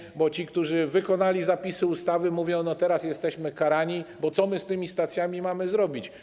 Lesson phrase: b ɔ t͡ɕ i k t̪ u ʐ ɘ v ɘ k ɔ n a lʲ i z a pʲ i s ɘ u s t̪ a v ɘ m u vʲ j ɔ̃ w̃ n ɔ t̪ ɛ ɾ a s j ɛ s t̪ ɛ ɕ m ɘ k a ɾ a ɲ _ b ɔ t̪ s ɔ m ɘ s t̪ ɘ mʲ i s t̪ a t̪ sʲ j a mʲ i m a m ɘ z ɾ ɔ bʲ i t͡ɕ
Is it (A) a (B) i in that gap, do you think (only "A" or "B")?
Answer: B